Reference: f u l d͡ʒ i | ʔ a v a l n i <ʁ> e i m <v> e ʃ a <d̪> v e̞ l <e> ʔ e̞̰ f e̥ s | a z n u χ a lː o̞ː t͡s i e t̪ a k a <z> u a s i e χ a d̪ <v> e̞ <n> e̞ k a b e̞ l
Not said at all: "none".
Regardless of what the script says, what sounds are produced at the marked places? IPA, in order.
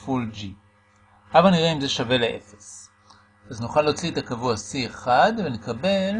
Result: ʁ, z, none, e, v, v, n

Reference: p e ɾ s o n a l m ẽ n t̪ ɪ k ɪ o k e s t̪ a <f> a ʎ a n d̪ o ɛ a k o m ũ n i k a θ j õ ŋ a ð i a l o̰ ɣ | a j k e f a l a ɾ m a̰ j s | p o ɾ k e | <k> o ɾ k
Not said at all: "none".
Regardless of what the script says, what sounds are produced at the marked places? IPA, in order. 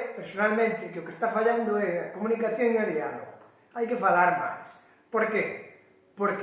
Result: f, p

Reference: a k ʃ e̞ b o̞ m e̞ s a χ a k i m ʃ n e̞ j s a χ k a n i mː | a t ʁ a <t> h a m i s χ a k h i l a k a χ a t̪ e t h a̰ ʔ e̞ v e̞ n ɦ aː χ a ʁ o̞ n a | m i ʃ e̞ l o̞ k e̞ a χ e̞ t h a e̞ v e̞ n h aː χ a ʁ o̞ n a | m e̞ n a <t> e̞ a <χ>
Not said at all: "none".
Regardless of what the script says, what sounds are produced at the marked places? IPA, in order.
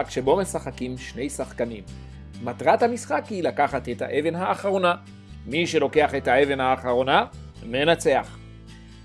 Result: t, t͡s, χ

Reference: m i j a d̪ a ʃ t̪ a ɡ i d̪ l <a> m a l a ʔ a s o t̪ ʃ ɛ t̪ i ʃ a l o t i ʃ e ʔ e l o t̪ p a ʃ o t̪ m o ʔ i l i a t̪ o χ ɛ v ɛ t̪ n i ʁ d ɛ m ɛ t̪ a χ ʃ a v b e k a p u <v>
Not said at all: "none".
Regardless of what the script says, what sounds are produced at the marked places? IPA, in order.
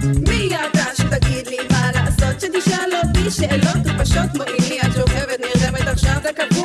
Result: i, none

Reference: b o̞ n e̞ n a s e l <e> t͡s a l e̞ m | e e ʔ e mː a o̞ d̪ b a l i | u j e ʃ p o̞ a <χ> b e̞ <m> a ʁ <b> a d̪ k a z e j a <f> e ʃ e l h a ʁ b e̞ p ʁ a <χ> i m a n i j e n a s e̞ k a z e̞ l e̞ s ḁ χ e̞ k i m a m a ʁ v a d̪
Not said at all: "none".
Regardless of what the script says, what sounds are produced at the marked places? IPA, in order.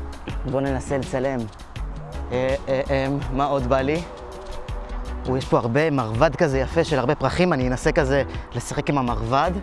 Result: e, ʁ, m, v, f, χ

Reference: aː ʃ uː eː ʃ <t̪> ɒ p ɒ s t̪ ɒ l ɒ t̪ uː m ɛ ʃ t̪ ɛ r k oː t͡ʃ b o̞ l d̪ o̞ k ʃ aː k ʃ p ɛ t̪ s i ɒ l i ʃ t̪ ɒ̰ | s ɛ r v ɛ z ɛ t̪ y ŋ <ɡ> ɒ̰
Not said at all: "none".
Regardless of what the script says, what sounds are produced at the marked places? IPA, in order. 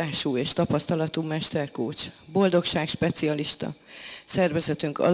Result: t̪, k

